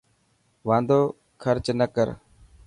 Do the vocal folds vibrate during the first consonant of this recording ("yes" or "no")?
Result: yes